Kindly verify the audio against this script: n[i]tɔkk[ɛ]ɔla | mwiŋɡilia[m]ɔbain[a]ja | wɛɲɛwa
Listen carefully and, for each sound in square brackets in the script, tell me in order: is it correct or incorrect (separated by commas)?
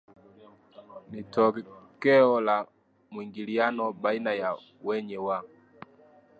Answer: correct, correct, incorrect, correct